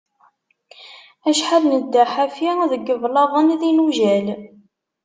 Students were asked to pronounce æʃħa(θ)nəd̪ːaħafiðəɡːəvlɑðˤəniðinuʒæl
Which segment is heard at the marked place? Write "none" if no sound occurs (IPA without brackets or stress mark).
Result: ð